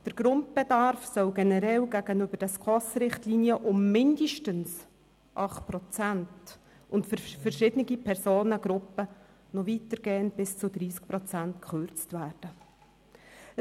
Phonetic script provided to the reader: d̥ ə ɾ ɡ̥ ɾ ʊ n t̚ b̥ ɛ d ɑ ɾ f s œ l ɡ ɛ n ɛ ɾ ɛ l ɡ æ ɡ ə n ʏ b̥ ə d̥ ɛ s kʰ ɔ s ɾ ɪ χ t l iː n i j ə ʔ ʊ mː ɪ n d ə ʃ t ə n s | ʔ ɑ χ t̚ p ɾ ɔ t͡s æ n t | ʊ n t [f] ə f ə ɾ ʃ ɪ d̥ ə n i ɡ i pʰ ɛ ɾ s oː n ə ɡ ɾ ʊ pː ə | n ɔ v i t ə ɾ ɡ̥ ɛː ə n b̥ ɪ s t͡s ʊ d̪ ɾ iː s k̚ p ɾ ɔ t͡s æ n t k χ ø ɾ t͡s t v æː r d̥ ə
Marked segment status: correct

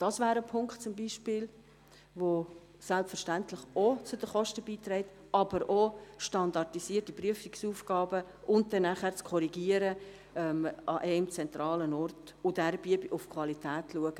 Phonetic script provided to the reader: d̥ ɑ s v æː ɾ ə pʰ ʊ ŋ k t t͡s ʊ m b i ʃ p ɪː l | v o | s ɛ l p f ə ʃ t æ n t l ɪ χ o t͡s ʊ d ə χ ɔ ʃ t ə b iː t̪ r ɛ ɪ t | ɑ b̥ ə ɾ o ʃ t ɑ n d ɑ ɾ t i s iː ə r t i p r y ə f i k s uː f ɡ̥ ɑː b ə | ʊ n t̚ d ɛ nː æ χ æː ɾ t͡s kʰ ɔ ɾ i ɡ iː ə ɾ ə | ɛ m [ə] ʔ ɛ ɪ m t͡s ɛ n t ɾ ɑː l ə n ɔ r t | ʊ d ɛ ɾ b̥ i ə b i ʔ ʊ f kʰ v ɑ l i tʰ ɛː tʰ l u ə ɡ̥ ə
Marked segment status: incorrect: ɑ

